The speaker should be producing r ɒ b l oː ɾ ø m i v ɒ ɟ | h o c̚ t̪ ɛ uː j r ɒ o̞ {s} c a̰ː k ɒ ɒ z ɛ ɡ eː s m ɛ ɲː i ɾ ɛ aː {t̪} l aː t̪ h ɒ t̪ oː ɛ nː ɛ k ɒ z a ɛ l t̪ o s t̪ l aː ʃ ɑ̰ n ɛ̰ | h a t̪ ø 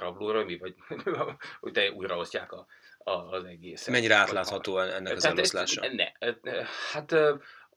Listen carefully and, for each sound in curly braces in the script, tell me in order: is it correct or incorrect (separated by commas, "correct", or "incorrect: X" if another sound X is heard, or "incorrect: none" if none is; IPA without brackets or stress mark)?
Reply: correct, correct